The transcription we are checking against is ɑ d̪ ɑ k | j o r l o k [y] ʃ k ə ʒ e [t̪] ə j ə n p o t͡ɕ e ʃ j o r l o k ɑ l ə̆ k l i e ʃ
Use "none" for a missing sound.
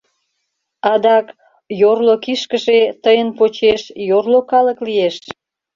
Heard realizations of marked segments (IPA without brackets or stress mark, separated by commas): i, t̪